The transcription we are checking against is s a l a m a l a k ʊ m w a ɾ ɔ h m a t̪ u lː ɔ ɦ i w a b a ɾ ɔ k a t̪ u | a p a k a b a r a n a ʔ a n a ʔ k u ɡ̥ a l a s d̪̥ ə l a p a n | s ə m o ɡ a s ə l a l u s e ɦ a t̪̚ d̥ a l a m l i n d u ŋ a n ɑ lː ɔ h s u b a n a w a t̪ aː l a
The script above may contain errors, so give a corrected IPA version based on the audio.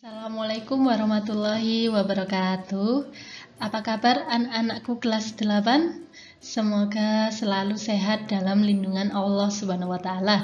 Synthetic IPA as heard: s a l a m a l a k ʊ m w a ɾ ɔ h m a t̪ u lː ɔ ɦ i w a b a ɾ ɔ k a t̪ u | a p a k a b a r a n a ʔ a n a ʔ k u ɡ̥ ə l a s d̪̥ ə l a p a n | s ə m o ɡ a s ə l a l u s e ɦ a t̪̚ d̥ a l a m l i n d u ŋ a n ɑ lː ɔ h s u b a n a w a t̪ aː l a